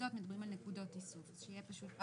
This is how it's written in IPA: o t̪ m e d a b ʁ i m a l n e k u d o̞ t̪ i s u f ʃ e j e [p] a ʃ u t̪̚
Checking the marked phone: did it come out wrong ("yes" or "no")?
no